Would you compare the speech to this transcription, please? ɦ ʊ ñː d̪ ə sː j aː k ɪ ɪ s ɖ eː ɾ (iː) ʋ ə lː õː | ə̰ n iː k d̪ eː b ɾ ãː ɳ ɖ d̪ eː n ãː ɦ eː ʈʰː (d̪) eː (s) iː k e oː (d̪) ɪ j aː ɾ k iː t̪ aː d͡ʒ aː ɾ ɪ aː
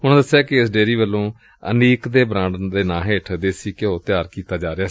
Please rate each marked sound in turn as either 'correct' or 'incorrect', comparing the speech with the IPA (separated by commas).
correct, correct, correct, incorrect